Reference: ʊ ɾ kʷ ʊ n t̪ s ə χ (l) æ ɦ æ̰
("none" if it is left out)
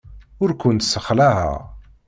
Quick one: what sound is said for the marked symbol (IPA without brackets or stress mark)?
l